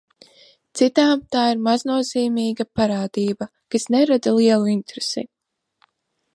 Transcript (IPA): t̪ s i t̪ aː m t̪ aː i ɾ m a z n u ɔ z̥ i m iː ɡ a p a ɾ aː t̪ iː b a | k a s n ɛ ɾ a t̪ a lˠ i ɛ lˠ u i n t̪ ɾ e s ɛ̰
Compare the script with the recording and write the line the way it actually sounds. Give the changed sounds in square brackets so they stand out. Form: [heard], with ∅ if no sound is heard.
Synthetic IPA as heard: t̪ s i t̪ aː m t̪ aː i ɾ m a z n u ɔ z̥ [iː] m iː ɡ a p a ɾ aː [d̪] iː b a | k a s n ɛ ɾ a [d̪] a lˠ i ɛ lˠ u i n t̪ ɾ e s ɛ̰